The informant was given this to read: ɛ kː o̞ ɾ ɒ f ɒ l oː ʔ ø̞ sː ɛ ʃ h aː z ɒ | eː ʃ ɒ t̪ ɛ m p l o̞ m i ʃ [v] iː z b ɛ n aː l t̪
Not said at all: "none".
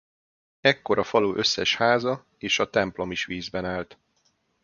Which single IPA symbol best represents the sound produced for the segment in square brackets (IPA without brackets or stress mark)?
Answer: ʋ